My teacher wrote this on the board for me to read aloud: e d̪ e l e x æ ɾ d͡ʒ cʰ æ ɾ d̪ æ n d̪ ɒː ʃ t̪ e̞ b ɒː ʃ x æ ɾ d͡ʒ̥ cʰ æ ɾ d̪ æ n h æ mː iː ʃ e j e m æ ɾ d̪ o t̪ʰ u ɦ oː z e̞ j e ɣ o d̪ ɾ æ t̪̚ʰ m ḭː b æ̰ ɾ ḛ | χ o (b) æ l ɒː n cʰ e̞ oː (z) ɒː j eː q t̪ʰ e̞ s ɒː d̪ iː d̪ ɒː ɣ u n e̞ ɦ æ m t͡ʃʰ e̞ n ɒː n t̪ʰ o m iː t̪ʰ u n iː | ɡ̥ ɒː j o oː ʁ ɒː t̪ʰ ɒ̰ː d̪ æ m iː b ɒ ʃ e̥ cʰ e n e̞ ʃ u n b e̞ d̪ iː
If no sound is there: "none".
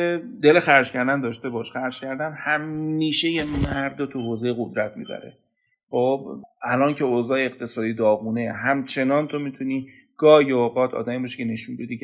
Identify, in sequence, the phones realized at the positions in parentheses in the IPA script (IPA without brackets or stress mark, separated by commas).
b, z